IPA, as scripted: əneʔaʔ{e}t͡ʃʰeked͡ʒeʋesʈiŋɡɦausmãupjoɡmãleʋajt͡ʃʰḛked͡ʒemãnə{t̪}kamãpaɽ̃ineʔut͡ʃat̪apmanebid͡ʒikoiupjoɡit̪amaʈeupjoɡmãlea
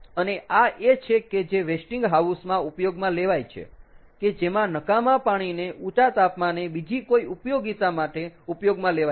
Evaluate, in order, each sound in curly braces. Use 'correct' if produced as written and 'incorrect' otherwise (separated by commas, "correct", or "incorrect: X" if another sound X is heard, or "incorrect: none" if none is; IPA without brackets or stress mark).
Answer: correct, incorrect: none